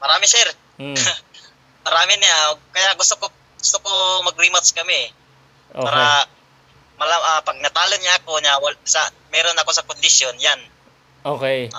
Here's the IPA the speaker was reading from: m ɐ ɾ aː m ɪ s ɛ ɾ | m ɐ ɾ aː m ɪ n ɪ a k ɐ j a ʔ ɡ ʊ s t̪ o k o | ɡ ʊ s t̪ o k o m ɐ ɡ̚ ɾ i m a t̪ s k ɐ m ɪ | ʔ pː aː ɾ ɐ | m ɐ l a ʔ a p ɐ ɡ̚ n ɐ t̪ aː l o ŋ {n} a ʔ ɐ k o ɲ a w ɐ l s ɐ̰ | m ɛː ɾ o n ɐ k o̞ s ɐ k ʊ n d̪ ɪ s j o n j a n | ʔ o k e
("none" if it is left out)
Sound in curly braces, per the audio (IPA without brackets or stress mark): ɲ